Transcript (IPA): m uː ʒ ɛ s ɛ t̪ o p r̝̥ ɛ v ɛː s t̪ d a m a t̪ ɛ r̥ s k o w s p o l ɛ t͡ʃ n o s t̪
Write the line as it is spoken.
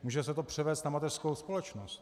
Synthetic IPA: m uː ʒ ɛ s ɛ t̪ o p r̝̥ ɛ v ɛː s t̪ n a m a t̪ ɛ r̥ s k o w s p o l ɛ t͡ʃ n o s t̪